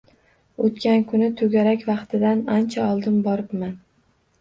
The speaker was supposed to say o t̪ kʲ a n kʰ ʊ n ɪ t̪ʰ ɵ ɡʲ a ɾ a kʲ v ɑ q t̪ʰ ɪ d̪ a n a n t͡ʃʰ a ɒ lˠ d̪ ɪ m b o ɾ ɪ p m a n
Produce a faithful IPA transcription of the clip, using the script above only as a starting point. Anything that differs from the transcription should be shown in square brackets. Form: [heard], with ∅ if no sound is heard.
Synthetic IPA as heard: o t̪ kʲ a n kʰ ʊ n ɪ t̪ʰ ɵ ɡʲ a ɾ a kʲ v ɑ q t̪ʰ ɪ d̪ a n a n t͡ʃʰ a ɒ lˠ d̪ ɪ m b [ɒ] ɾ ɪ p m a n